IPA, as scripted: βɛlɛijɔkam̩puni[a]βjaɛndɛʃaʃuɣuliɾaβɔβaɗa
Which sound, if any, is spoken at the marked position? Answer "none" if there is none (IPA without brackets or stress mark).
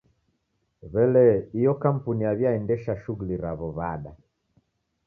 a